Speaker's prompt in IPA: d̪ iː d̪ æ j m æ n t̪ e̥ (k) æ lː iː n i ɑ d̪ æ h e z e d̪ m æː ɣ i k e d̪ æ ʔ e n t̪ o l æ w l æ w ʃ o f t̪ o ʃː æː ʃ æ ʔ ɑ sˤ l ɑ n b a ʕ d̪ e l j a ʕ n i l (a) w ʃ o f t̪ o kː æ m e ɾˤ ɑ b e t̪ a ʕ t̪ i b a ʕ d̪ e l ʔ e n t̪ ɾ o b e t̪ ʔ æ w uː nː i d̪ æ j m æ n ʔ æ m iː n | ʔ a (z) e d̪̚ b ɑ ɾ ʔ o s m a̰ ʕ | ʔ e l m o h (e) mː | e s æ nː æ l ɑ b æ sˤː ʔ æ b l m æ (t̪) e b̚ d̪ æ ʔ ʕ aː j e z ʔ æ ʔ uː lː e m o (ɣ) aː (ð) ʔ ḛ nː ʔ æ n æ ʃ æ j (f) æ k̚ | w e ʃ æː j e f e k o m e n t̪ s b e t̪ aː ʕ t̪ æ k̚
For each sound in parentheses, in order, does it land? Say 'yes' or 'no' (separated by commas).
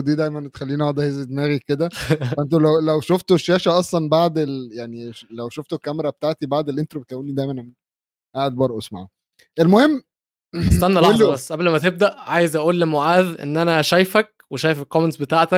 no, no, no, yes, yes, no, yes, yes